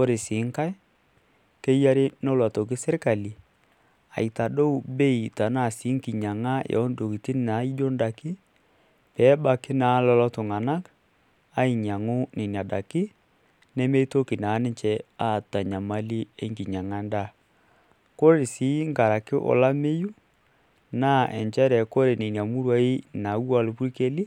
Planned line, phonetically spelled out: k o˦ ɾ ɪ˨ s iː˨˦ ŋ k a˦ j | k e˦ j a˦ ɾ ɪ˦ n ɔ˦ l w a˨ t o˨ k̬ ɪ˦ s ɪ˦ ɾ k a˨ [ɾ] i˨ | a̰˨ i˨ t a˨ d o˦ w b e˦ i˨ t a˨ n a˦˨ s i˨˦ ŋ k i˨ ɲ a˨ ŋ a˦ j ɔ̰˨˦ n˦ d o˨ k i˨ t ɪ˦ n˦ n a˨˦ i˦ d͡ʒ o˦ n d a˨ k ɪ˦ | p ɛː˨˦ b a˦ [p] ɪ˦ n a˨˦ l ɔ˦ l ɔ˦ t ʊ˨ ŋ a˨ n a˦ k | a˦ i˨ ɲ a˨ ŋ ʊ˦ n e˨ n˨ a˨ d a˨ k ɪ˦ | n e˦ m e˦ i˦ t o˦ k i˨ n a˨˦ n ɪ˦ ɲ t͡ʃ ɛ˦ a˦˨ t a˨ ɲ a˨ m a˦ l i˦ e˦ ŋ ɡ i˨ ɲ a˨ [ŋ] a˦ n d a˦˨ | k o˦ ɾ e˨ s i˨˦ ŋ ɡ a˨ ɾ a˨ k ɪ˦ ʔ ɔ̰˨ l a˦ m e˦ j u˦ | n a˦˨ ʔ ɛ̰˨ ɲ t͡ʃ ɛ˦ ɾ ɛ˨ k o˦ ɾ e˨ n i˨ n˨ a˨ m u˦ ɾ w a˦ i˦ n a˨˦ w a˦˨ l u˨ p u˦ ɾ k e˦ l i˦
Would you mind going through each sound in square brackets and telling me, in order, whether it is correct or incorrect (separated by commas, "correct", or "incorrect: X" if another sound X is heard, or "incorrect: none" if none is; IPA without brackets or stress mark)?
incorrect: l, incorrect: k, correct